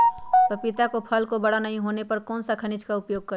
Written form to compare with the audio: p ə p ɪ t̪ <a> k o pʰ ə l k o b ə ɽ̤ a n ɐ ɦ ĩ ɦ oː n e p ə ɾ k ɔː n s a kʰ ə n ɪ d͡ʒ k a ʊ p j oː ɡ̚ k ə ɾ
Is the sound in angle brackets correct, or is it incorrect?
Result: correct